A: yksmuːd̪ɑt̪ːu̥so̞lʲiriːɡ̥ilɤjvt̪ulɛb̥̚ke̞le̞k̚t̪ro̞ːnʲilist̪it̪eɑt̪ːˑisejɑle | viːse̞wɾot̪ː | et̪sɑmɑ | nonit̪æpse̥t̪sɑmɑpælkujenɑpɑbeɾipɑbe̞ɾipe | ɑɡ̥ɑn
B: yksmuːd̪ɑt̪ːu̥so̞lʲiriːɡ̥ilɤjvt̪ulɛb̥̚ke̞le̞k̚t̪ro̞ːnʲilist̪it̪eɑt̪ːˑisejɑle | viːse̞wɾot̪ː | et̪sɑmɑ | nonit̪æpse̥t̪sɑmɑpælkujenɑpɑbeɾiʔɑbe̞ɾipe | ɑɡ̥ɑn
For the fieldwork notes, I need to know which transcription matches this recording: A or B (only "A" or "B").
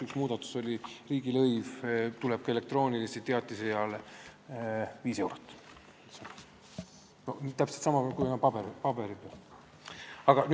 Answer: A